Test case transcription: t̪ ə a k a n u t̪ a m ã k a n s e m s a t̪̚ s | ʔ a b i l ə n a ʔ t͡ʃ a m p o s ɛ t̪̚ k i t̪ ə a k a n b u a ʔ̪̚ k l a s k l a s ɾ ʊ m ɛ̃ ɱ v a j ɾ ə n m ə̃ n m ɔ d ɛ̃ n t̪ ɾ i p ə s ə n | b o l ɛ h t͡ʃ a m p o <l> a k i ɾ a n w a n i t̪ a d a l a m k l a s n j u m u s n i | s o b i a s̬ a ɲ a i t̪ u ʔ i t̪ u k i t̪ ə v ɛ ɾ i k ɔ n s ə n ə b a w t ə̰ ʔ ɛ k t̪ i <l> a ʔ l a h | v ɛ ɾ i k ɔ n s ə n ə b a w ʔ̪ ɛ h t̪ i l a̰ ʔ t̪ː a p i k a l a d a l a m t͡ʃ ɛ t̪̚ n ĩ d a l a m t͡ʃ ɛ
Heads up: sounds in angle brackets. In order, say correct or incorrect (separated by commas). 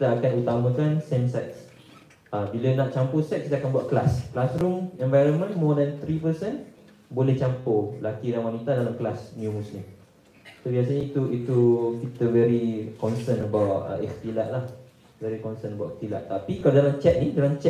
correct, correct